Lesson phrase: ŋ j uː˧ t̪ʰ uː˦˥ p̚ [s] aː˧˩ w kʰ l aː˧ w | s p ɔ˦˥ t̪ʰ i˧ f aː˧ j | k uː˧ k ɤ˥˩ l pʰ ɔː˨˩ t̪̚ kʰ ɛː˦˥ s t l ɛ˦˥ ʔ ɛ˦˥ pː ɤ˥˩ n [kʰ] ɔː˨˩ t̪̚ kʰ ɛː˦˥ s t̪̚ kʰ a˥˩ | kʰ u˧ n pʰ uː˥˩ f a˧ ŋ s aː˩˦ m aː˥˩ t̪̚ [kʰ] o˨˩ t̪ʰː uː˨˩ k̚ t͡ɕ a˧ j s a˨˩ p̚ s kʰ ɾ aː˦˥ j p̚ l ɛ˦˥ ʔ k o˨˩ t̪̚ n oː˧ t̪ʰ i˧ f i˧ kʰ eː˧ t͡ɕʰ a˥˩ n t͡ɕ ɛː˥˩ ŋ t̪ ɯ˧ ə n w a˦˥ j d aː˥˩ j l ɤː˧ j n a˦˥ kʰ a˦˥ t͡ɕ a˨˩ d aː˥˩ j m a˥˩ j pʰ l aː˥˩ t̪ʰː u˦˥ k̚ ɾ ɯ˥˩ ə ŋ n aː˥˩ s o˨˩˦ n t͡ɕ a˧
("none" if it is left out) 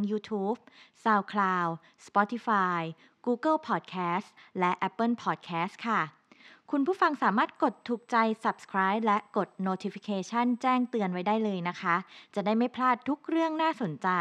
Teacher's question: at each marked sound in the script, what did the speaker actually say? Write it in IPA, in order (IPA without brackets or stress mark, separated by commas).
s, pʰ, k